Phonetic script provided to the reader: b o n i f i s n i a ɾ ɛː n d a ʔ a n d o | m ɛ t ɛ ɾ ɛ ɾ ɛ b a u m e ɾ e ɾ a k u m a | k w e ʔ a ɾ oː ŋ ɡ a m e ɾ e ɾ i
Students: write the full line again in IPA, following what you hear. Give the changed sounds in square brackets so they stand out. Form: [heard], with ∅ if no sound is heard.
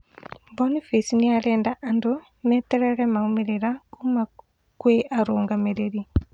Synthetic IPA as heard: b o n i f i s n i a ɾ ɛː n d a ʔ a n d o | m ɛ t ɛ ɾ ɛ ɾ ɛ [m] a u m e ɾ e ɾ a k u m a | k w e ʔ a ɾ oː ŋ ɡ a m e ɾ e ɾ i